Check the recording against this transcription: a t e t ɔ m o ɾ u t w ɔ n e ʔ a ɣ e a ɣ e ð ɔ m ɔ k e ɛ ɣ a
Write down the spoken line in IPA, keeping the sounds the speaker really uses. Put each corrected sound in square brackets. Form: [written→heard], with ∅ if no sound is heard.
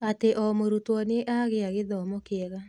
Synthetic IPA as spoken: a t e [t→ʔ] ɔ m o ɾ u t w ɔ n e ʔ a ɣ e a ɣ e ð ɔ m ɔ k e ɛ ɣ a